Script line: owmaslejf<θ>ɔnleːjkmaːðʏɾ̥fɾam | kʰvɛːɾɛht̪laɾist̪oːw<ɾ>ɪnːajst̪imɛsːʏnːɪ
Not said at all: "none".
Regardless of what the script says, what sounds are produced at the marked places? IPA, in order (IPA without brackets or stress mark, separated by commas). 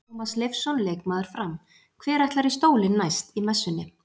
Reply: s, l